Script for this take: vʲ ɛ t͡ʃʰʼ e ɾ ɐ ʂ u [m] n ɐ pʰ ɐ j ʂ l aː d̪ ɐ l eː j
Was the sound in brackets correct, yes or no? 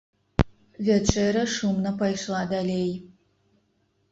yes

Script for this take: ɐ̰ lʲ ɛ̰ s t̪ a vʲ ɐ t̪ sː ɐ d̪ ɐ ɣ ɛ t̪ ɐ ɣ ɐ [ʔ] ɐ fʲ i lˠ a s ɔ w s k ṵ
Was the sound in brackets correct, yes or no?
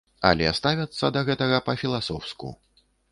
no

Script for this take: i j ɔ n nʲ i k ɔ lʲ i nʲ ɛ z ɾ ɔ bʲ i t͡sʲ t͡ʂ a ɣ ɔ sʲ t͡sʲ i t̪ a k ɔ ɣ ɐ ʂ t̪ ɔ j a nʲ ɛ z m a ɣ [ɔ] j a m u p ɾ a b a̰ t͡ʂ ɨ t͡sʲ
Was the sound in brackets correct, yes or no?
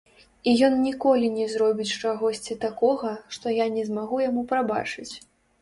no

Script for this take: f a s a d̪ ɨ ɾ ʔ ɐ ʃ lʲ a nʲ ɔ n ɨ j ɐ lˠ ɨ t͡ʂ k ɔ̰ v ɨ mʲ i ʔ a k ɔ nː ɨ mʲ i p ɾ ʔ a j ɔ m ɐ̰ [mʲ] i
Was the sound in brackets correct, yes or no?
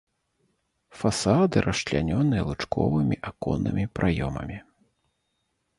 yes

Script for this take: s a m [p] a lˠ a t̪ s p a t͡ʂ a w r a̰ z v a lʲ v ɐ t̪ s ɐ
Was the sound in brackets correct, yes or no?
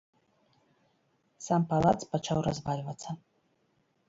yes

